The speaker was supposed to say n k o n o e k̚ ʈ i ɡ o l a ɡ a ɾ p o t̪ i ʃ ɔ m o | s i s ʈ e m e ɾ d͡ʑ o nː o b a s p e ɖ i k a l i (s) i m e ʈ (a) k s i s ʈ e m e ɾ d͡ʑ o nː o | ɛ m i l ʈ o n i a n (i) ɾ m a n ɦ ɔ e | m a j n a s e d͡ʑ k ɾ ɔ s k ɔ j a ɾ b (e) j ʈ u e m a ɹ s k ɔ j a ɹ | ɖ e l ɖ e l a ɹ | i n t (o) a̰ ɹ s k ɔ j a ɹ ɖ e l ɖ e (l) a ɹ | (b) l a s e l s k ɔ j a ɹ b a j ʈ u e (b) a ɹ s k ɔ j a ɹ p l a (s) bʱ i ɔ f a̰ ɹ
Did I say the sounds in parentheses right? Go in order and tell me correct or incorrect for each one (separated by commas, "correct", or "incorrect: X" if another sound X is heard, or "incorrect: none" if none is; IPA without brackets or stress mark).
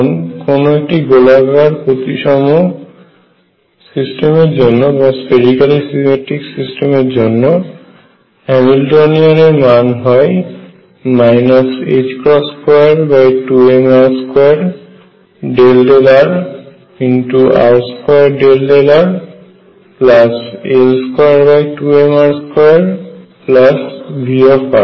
correct, incorrect: i, incorrect: e, incorrect: a, incorrect: u, correct, incorrect: p, incorrect: m, correct